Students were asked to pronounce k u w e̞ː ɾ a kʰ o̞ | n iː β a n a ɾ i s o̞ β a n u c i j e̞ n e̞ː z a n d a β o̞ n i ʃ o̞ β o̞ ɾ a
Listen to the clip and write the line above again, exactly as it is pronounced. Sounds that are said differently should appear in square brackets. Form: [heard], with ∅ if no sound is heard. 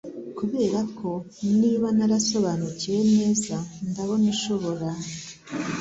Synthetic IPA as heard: k u [β] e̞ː ɾ a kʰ o̞ | n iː β a n a ɾ [a] s o̞ β a n u c i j e̞ n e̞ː z a n d a β o̞ n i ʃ o̞ β o̞ ɾ a